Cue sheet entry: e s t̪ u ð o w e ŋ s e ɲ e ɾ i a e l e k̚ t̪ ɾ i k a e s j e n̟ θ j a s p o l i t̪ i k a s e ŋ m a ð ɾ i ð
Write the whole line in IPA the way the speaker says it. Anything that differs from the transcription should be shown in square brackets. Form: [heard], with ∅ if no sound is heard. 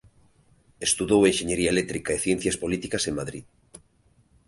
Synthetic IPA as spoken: e s t̪ u ð o w e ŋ [ʃ] e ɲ e ɾ i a e l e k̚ t̪ ɾ i k a e [θ] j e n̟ θ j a s p o l i t̪ i k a s e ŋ m a ð ɾ i ð